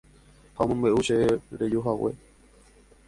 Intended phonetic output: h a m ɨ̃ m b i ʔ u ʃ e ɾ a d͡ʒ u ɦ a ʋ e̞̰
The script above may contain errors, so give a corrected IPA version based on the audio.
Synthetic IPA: h a m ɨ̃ m b e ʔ u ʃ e ɾ e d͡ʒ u ɦ a w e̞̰